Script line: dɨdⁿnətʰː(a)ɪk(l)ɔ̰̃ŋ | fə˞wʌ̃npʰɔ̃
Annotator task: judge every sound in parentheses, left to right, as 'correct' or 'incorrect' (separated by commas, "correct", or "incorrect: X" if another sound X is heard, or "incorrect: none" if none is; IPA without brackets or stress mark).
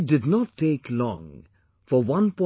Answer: incorrect: e, correct